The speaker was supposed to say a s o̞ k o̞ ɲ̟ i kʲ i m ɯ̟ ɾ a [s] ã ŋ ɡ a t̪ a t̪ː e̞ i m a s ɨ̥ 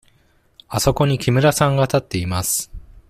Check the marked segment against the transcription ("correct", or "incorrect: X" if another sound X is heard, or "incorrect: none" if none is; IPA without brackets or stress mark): correct